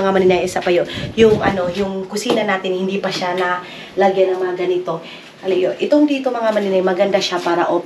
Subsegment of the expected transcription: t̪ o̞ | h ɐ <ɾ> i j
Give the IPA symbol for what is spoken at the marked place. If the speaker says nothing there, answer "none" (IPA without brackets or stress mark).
l